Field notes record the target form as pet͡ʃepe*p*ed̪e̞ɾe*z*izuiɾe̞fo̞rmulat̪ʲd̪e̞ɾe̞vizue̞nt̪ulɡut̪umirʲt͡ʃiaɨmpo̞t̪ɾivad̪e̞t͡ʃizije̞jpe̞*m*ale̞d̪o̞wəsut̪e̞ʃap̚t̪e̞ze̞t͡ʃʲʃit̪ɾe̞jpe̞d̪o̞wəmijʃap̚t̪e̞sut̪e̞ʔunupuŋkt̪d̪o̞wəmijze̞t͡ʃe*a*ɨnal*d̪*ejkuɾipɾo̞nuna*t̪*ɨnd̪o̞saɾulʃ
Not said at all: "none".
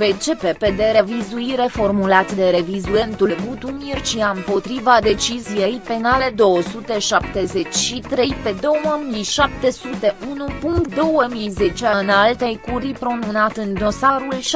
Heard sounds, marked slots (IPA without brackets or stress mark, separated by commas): p, v, n, a, t̪, t̪